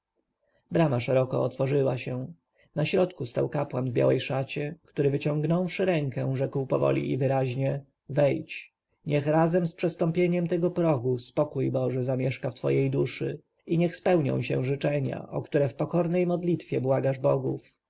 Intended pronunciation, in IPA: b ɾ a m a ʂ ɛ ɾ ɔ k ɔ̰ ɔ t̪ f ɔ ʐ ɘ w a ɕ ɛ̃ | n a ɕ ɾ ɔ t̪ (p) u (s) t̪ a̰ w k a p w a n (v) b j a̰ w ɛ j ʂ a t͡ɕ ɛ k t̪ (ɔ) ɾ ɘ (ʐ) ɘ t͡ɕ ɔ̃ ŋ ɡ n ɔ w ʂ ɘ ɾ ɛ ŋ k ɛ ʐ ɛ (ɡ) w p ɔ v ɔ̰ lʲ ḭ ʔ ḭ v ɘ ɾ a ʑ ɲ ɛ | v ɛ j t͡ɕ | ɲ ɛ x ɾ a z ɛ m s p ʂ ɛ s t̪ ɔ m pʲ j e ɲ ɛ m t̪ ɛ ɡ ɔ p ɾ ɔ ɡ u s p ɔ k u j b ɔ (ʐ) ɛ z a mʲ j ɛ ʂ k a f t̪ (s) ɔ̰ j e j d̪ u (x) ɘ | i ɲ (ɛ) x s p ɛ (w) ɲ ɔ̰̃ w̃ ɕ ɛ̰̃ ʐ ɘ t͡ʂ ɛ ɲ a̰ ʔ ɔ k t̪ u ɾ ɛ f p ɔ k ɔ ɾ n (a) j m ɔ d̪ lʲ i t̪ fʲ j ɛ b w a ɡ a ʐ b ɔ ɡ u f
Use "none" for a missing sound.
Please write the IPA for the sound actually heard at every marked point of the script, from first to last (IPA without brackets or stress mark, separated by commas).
k, s, v, u, v, k, ʐ, f, ʂ, ɛ, w, ɛ